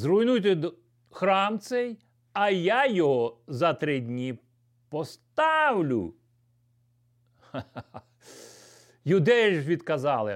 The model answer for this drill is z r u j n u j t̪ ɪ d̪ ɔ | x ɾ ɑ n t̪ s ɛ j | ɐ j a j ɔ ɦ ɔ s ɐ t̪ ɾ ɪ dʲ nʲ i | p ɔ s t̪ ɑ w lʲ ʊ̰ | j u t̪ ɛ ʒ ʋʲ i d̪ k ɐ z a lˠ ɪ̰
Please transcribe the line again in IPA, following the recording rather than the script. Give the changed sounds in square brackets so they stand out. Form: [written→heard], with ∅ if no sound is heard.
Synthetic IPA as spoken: z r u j n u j t̪ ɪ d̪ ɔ | x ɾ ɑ [n→m] t̪ s ɛ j | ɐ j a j ɔ ɦ ɔ [s→z] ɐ t̪ ɾ ɪ dʲ nʲ i | p ɔ s t̪ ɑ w lʲ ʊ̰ | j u [t̪→d̪] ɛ ʒ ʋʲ i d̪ k ɐ z [a→ɑ] lˠ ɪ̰